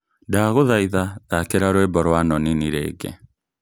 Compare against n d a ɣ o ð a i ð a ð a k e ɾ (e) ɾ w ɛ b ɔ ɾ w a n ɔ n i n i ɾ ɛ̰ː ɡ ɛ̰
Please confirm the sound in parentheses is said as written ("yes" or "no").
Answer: no